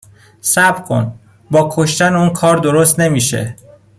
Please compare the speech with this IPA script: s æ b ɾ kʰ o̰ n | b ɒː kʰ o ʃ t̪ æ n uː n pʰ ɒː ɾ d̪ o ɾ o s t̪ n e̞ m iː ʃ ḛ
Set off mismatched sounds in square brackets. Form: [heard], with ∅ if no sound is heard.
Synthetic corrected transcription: s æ b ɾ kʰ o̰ n | b ɒː kʰ o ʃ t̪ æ n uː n [kʰ] ɒː ɾ d̪ o ɾ o s t̪ n e̞ m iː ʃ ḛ

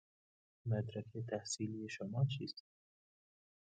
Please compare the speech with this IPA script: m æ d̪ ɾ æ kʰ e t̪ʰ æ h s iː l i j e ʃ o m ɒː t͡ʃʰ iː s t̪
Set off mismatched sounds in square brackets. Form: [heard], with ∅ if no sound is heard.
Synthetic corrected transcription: m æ d̪ ɾ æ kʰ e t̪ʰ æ h s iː l i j e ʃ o m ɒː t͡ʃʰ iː s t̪

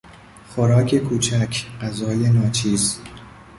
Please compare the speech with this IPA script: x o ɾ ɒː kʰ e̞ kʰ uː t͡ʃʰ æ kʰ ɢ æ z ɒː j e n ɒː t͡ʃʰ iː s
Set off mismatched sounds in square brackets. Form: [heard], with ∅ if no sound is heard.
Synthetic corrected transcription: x o ɾ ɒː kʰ e̞ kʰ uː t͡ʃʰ æ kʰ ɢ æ z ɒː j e n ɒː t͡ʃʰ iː [z]

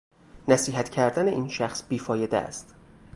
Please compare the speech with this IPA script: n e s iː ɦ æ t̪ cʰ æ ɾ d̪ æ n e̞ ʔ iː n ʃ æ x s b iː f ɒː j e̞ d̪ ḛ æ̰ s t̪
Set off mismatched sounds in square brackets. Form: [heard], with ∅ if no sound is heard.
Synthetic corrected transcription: n [æ] s iː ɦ æ t̪ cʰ æ ɾ d̪ æ n e̞ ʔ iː n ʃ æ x s b iː f ɒː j e̞ d̪ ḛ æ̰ s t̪

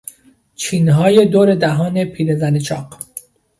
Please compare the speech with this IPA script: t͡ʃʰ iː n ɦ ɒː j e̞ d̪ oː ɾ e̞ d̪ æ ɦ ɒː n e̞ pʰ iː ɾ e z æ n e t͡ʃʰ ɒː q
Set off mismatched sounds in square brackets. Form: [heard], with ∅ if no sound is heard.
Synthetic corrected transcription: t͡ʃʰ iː n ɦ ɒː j e̞ d̪ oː ɾ e̞ d̪ æ ɦ ɒː n e̞ pʰ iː ɾ e z æ n e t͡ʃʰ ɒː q

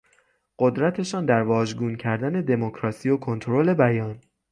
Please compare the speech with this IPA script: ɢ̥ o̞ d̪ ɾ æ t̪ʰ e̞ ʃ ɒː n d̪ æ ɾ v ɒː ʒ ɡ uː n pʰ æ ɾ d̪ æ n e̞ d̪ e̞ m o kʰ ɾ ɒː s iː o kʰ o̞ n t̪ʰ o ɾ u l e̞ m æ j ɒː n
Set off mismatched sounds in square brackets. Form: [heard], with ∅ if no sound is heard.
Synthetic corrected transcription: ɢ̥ o̞ d̪ ɾ æ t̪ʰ e̞ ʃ ɒː n d̪ æ ɾ v ɒː ʒ ɡ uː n [cʰ] æ ɾ d̪ æ n e̞ d̪ e̞ m o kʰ ɾ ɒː s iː o kʰ o̞ n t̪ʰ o ɾ [o] l e̞ [b] æ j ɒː n

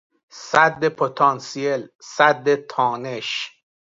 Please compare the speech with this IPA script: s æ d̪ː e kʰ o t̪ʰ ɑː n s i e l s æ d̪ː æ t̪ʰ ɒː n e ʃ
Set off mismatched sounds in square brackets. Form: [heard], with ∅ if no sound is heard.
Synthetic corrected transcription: s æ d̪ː e [pʰ] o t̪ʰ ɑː n s i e l s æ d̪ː [e] t̪ʰ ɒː n e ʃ

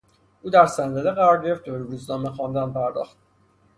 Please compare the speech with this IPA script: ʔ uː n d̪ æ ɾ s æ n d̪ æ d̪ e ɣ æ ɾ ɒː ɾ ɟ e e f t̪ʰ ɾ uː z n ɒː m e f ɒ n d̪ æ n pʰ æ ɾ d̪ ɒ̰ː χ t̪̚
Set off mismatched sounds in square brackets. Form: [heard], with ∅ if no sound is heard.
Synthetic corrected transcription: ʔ uː [∅] d̪ æ ɾ s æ n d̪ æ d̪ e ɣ æ ɾ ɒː ɾ ɟ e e f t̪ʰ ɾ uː z n ɒː m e [x] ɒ n d̪ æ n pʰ æ ɾ d̪ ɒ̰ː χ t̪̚

